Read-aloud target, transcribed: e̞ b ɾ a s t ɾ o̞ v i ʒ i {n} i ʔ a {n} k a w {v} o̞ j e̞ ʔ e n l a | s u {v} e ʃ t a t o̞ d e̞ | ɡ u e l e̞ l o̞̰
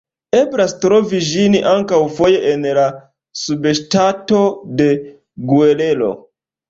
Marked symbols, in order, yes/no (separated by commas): yes, no, no, no